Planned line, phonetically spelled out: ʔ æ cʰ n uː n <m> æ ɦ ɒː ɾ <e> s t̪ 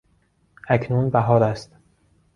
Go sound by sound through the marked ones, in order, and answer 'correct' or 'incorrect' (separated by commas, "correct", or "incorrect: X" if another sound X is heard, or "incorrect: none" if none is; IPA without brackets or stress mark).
incorrect: b, incorrect: æ